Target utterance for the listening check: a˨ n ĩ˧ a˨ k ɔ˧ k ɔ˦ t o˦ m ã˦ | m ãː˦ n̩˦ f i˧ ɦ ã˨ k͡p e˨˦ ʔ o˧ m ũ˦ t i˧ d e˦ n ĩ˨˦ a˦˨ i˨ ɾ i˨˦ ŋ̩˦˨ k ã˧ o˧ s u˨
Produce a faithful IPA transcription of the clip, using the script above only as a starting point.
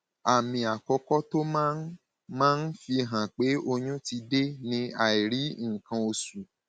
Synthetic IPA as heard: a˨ m ĩ˧ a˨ k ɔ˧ k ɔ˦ t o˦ m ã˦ | m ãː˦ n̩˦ f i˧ ɦ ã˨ k͡p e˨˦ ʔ o˧ ɲ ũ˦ t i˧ d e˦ n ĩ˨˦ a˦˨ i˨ ɾ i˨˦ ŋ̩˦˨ k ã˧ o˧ s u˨